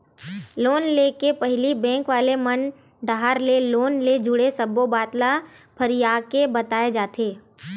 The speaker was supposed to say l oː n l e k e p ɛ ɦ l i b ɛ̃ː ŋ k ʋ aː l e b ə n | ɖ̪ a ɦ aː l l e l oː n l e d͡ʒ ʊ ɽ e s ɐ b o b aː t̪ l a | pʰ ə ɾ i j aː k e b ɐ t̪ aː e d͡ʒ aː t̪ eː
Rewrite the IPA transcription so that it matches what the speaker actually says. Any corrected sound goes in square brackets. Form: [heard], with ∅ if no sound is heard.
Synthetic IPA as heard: l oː n l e k e p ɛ ɦ l i b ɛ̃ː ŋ k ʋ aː l e [m] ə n | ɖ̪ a ɦ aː [ɾ] l e l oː n l e d͡ʒ ʊ ɽ e s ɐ b o b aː t̪ l a | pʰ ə ɾ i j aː k e b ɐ t̪ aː e d͡ʒ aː t̪ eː